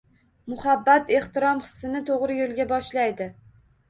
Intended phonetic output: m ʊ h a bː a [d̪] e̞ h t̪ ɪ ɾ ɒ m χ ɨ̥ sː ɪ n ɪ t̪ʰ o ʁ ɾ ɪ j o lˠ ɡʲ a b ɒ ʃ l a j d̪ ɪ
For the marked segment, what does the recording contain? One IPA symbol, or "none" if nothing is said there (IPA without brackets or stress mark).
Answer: t̪